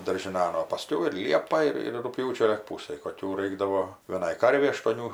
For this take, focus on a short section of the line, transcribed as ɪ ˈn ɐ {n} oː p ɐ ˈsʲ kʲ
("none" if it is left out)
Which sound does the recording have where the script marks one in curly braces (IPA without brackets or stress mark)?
n